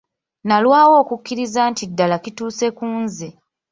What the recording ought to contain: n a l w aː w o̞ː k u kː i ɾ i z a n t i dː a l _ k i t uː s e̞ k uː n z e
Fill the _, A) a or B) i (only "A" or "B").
A